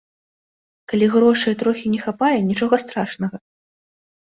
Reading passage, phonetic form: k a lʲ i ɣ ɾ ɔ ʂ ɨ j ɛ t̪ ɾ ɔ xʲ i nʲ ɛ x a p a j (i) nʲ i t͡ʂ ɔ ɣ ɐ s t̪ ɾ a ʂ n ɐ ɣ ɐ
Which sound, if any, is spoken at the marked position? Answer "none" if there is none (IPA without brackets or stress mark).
ɛ